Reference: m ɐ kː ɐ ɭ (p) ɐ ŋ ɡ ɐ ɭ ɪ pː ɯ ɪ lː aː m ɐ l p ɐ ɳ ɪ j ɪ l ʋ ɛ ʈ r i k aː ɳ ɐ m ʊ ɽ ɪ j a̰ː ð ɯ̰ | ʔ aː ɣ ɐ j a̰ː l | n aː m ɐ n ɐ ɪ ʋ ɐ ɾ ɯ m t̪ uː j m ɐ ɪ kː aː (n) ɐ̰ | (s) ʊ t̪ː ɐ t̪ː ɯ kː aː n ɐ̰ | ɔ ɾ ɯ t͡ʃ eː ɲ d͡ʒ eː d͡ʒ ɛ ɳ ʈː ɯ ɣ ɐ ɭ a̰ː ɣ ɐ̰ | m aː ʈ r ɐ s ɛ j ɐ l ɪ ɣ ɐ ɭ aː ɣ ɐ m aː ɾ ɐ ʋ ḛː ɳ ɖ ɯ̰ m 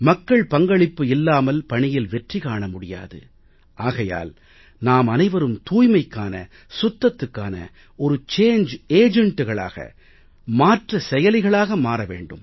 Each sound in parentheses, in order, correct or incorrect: correct, correct, correct

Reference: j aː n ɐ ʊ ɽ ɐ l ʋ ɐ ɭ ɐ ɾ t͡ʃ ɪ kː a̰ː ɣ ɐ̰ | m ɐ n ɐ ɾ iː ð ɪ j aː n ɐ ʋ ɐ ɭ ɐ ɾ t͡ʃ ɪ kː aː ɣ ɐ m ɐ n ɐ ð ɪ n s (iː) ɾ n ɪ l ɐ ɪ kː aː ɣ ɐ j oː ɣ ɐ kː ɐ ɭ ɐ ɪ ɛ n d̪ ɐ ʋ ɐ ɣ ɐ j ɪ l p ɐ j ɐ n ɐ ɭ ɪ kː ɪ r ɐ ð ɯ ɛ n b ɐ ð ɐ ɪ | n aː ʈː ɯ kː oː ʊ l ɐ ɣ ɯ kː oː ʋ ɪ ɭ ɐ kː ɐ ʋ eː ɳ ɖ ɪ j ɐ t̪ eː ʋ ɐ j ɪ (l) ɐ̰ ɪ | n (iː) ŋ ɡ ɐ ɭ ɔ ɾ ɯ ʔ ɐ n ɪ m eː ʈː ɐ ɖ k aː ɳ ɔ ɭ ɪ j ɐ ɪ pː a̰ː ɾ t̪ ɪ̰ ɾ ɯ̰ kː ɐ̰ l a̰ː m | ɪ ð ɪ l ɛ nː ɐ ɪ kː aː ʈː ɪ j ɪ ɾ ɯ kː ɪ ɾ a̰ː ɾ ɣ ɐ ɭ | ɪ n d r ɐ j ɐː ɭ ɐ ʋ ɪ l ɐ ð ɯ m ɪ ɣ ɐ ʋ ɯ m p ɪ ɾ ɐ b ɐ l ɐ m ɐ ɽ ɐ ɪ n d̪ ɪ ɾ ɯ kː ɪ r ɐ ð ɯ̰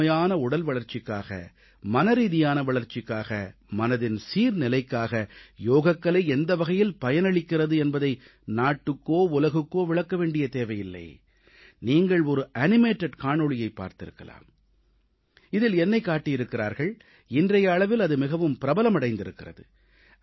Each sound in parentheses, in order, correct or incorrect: correct, incorrect: lː, correct

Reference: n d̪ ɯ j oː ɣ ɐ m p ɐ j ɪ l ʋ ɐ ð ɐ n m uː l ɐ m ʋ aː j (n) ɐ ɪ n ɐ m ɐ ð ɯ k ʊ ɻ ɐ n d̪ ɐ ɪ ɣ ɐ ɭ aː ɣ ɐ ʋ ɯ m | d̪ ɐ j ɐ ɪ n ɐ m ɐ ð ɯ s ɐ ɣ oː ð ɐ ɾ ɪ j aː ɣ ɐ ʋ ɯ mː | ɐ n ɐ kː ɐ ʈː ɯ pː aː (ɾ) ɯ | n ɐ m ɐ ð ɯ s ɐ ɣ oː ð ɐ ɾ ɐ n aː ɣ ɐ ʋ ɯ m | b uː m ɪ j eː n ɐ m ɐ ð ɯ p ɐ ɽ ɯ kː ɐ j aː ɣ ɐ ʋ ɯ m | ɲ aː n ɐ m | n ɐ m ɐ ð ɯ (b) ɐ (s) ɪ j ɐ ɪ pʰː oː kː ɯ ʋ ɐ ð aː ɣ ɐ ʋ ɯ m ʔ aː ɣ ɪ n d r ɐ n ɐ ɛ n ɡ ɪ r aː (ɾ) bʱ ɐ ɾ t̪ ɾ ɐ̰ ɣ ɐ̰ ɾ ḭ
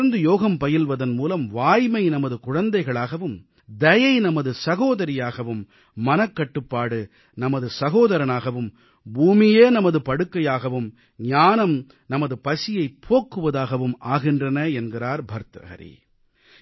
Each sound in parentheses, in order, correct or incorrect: incorrect: m, incorrect: ɽ, incorrect: p, correct, correct

